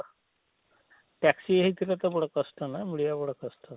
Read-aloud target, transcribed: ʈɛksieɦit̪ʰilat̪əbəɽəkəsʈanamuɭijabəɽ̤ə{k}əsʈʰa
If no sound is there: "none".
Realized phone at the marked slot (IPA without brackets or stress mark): k